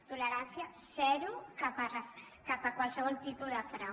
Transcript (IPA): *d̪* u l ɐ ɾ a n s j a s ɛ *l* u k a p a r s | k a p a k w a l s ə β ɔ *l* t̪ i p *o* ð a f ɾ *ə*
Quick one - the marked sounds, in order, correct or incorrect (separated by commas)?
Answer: incorrect, incorrect, correct, incorrect, incorrect